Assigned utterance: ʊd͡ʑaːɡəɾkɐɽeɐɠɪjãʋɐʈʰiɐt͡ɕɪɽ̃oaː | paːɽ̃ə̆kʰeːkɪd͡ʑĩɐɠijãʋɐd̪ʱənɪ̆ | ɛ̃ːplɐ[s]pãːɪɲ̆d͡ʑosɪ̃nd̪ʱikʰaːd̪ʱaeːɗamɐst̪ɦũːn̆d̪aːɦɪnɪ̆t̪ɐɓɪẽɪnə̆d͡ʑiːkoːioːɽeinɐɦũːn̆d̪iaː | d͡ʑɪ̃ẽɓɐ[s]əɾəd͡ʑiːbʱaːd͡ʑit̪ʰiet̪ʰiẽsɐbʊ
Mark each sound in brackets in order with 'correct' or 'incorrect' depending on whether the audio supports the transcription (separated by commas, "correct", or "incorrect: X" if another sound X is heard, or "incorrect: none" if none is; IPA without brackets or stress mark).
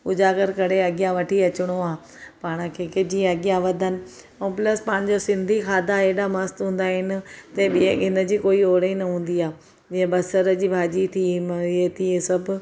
correct, correct